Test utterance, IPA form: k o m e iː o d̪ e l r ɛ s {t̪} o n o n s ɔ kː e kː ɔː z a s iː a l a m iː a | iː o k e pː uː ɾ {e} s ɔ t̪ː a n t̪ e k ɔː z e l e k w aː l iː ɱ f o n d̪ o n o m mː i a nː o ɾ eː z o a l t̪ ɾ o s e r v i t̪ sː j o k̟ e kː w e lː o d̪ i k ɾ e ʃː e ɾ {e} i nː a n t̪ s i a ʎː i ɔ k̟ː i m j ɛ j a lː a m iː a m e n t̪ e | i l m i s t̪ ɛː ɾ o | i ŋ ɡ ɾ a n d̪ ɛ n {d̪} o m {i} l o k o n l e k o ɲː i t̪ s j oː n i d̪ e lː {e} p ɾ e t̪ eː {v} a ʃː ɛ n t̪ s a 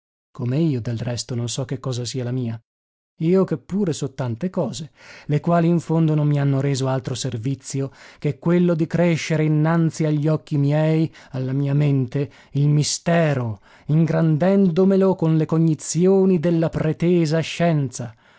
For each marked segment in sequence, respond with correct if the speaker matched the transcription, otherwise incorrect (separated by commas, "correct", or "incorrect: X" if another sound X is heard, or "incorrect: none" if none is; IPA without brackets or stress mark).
correct, correct, correct, correct, incorrect: e, incorrect: a, incorrect: z